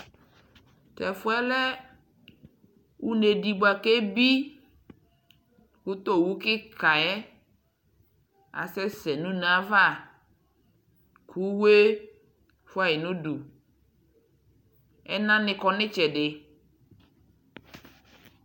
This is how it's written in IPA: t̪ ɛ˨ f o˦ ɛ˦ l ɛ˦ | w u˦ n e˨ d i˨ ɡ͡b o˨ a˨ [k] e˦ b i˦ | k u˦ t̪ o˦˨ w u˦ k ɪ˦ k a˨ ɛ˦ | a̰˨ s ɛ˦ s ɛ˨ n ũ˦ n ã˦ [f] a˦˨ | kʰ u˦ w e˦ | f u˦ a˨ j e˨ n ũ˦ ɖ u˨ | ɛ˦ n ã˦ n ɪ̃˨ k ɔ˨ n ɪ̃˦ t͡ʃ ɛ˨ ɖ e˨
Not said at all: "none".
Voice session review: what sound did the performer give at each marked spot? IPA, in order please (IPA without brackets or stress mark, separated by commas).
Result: k, v